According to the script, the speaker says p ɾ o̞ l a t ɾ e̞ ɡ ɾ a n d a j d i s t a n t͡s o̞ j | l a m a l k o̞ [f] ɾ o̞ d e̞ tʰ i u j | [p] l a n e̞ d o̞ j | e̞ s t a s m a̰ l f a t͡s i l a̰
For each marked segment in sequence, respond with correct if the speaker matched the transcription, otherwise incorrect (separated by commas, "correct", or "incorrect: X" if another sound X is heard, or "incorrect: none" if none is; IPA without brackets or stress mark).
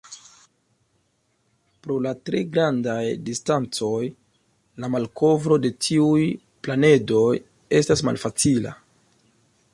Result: incorrect: v, correct